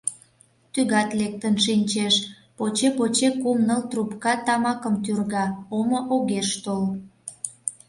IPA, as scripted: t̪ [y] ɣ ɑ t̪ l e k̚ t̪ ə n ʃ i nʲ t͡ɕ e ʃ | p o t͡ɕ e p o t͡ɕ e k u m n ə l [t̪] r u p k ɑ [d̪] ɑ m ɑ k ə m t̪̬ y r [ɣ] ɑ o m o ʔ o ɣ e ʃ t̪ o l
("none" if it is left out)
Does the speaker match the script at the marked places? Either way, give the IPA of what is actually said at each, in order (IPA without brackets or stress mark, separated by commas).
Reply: y, t̪, t̪, ɣ